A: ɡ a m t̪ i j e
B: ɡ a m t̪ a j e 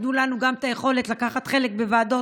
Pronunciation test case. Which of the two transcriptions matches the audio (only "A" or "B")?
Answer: B